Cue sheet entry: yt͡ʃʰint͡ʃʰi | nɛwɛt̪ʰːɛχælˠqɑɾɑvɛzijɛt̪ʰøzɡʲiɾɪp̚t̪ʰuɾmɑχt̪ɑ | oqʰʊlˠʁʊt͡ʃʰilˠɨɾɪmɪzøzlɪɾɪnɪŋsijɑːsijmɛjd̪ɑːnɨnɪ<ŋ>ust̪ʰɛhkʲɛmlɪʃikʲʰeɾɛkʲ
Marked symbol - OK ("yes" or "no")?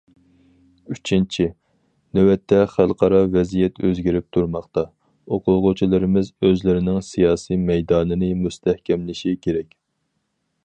no